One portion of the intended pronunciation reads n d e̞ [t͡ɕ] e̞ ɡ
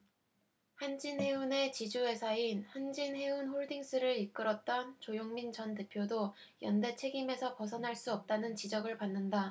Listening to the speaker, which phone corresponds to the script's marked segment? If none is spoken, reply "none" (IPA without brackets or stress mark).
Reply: t͡ɕʰ